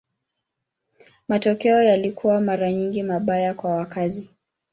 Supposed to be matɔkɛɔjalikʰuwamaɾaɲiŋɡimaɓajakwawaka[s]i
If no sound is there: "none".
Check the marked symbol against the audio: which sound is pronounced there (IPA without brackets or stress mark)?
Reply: z